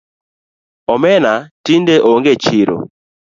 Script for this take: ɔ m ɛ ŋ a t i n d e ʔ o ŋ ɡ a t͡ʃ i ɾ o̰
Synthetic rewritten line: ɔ m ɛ n a t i n d e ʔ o ŋ ɡ e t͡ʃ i ɾ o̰